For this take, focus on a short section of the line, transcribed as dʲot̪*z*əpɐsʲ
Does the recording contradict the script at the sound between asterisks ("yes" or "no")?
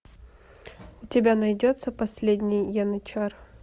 yes